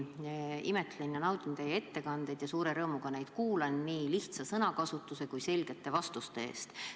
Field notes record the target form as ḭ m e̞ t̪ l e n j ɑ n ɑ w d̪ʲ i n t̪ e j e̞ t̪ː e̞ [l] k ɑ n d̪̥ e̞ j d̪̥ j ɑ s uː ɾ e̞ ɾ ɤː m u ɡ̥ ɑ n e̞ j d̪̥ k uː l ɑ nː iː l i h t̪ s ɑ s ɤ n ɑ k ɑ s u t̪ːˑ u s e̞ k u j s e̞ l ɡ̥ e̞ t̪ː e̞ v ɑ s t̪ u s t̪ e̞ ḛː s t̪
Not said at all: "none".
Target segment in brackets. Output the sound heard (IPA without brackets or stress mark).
none